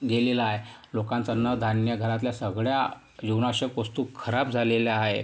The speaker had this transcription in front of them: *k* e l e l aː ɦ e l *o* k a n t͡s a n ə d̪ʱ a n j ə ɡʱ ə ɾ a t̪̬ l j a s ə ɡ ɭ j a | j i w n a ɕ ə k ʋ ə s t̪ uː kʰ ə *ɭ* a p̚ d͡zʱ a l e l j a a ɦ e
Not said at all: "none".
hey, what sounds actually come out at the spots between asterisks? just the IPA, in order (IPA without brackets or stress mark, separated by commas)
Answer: ɡ, o, ɾ